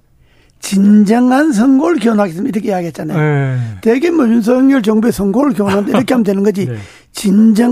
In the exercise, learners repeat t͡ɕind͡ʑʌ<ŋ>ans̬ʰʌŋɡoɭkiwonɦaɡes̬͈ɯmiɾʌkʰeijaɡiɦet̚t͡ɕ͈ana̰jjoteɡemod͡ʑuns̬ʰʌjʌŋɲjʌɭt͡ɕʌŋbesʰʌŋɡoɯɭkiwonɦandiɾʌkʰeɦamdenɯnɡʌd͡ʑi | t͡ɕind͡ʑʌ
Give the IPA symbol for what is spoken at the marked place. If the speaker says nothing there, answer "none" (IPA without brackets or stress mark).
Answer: ŋ